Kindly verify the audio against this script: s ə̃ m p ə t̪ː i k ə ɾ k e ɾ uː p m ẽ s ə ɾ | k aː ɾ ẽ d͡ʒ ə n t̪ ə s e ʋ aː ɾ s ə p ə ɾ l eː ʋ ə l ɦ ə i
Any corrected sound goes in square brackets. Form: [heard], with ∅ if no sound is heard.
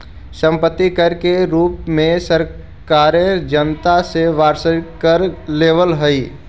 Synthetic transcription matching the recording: s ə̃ m p ə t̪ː i k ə ɾ k e ɾ uː p m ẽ s ə ɾ | k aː ɾ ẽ d͡ʒ ə n t̪ [a] s e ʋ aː ɾ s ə [k] ə ɾ l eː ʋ ə l ɦ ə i

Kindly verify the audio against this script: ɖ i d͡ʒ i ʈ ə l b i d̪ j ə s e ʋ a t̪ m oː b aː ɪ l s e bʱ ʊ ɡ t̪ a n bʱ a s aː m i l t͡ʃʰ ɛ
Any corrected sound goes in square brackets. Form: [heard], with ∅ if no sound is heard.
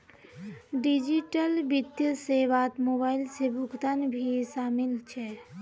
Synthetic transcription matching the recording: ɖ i d͡ʒ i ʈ ə l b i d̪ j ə s e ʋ a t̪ m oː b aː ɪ l s e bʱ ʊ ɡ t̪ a n bʱ [i] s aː m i l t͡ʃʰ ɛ

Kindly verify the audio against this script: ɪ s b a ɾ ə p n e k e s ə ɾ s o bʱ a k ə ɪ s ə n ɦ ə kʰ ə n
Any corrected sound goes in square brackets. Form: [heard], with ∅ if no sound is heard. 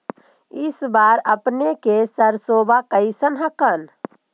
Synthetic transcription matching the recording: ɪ s b a ɾ ə p n e k e s ə ɾ s o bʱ a k ə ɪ s ə n ɦ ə [k] ə n

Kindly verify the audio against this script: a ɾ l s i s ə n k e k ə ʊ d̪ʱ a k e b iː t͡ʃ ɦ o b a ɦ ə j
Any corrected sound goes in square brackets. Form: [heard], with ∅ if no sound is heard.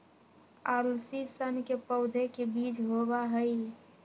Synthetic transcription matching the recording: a ɾ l s i s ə n k e [p] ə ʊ d̪ʱ [e] k e b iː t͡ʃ ɦ o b a ɦ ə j

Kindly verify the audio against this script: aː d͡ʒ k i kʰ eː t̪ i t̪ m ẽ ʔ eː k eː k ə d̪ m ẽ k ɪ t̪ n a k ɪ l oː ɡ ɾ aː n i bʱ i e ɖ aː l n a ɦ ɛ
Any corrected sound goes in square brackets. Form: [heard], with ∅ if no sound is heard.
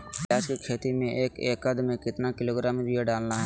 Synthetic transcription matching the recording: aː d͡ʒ k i kʰ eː t̪ i [∅] m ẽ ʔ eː k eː k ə d̪ m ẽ k ɪ t̪ n a k ɪ l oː ɡ ɾ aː [m] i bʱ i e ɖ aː l n a ɦ ɛ

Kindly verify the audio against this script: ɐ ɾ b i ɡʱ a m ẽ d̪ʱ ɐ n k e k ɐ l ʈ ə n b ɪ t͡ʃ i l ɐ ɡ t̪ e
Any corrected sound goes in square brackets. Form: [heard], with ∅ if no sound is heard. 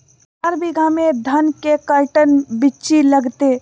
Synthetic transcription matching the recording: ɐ ɾ b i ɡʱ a m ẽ d̪ʱ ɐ n k e k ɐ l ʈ ə n b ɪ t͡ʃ i l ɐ ɡ t̪ e

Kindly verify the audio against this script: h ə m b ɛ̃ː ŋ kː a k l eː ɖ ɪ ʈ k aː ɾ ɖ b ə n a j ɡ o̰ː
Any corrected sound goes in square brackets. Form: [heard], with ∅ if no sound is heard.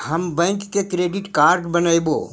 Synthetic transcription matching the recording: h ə m b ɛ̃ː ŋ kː [e] k [ɾ] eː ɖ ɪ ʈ k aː ɾ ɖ b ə n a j [b] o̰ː

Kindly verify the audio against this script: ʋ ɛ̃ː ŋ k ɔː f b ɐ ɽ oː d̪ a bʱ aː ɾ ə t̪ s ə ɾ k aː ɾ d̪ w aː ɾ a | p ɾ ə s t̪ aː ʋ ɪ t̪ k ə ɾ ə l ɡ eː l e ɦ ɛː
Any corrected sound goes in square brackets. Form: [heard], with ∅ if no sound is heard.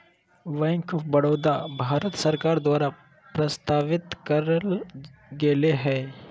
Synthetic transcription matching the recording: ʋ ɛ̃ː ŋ k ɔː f b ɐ ɽ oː d̪ a bʱ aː ɾ ə t̪ s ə ɾ k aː ɾ d̪ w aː ɾ a | p ɾ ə s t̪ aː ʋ ɪ t̪ k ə ɾ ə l ɡ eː l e ɦ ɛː

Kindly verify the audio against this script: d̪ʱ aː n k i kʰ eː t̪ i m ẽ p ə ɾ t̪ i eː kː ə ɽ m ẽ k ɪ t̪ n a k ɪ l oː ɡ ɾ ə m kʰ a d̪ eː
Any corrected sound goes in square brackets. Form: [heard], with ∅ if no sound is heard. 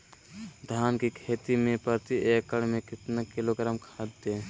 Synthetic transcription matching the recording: d̪ʱ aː n k i kʰ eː t̪ i m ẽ p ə ɾ t̪ i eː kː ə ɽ m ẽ k ɪ t̪ n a k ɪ l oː ɡ ɾ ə m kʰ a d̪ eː

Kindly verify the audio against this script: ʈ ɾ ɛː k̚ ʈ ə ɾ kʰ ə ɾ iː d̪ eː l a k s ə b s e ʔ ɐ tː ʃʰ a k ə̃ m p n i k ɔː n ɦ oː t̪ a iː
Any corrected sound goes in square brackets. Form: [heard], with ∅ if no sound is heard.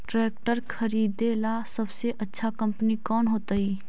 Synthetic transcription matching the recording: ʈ ɾ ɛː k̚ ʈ ə ɾ kʰ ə ɾ iː d̪ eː l a [∅] s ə b s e ʔ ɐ tː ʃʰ a k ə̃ m p n i k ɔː n ɦ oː t̪ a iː

